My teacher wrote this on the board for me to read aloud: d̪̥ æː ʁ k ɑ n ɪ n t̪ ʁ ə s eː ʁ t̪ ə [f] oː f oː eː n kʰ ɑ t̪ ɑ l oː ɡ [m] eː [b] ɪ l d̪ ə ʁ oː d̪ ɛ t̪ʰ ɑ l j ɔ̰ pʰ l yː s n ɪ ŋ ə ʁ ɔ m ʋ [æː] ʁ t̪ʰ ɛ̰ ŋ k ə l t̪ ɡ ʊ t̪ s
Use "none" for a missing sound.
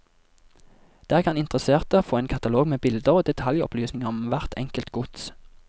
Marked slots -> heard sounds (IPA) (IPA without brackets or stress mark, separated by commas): none, m, b, æ